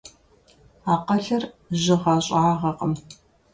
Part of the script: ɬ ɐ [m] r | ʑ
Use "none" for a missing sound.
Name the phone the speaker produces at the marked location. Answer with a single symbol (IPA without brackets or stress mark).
none